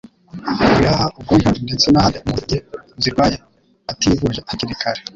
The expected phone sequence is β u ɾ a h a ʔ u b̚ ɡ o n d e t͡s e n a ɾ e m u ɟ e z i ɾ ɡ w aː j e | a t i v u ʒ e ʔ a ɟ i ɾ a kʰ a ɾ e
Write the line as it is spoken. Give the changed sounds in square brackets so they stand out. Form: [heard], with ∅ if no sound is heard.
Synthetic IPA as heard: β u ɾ a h a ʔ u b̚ ɡ o n d e t͡s e n a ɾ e m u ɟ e z i ɾ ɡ w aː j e | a t i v u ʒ e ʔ a [c] i ɾ [i] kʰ a ɾ e